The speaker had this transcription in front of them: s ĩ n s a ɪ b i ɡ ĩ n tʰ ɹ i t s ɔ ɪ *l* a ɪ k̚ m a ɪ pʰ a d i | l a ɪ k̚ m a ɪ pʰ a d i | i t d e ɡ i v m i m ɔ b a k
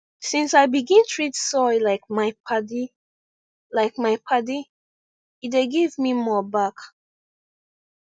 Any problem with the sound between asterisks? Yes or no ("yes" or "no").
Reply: no